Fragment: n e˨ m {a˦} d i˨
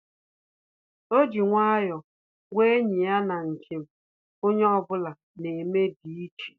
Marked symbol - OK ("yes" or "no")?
no